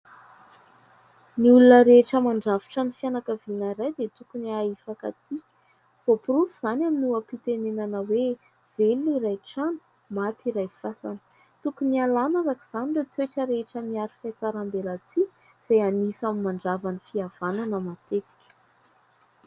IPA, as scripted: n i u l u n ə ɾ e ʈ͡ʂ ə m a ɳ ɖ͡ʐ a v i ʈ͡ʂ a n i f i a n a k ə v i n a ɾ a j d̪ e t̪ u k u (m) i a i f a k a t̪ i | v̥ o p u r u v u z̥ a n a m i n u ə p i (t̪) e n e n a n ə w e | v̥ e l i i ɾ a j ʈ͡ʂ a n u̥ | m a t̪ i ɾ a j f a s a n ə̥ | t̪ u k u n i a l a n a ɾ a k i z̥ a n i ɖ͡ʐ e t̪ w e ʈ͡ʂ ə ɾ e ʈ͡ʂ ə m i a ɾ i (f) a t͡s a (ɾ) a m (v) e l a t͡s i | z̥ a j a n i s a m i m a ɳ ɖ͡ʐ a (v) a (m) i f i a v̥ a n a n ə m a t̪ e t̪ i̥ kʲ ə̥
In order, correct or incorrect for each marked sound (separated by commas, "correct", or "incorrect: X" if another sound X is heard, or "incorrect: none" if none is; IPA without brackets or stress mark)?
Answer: incorrect: n, correct, correct, correct, incorrect: b, correct, incorrect: n